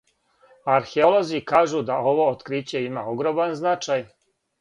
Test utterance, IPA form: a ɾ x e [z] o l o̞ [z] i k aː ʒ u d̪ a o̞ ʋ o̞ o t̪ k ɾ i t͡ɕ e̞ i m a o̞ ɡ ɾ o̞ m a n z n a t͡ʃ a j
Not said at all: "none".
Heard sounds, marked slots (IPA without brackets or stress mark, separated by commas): none, z